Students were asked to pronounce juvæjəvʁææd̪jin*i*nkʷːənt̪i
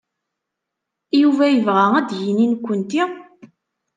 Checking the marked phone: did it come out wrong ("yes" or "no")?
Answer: no